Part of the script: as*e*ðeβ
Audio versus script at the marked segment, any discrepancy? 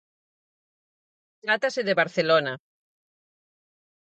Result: no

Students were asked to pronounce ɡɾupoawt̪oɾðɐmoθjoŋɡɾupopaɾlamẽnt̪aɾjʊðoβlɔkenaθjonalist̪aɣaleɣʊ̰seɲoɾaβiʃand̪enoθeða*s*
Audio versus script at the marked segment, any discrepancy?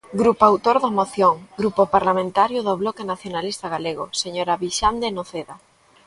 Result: yes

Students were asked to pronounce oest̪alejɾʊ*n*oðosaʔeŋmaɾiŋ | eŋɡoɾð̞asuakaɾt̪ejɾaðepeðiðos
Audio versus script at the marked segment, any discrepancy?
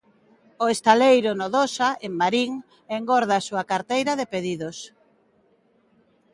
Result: no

